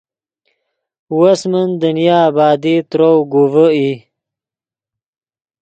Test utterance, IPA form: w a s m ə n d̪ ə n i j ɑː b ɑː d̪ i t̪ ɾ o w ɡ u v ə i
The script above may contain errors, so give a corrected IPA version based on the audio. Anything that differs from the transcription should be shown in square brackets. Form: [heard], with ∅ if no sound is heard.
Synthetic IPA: w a s m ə n d̪ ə n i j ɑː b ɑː d̪ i t̪ ɾ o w ɡ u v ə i